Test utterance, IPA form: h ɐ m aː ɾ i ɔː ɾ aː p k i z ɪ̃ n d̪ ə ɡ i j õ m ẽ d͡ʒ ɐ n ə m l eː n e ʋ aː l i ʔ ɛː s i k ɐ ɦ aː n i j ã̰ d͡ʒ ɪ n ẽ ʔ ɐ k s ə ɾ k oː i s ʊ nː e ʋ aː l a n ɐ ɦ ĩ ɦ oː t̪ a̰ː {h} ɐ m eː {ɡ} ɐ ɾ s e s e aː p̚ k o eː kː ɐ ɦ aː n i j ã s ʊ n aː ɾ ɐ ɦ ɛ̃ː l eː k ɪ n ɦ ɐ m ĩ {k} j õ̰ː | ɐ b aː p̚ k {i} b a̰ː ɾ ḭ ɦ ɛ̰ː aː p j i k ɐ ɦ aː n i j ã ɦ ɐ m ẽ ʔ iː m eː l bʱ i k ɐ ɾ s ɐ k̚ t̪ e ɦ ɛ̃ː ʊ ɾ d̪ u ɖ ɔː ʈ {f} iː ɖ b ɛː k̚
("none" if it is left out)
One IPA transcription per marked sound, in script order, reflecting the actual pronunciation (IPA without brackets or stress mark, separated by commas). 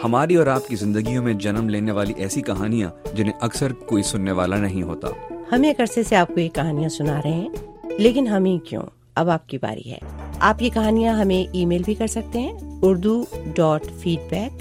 h, k, k, i, f